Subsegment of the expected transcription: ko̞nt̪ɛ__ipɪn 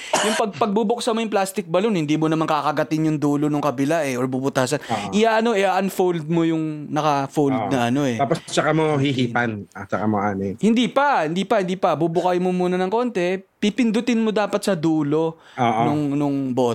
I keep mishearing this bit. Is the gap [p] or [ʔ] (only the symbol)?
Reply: p